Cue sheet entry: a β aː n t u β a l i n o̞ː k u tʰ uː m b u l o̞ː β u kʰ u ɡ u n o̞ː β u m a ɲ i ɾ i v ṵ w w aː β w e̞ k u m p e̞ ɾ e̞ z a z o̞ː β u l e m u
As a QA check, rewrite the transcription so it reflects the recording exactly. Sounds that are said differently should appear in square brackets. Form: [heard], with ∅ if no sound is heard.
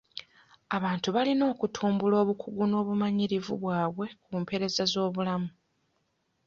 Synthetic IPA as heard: a β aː n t u β a l i n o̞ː k u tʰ uː m b u l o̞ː β u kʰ u ɡ u n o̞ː β u m a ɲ i ɾ i v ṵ [β] w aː β w e̞ k u m p e̞ ɾ e̞ z a z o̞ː β u l [a] m u